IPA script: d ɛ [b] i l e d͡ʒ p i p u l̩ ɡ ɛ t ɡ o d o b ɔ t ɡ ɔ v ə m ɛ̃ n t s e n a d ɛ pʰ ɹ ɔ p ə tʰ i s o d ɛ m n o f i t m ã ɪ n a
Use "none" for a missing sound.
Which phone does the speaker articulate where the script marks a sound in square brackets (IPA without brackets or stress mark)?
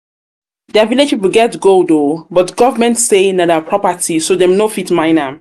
v